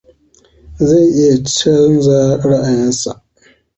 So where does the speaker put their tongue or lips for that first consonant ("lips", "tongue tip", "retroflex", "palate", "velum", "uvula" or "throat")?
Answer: tongue tip